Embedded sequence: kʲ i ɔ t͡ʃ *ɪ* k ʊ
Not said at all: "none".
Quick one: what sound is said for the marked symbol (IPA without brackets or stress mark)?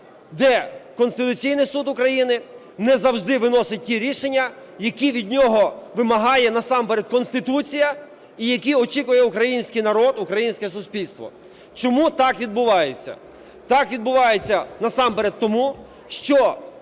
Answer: i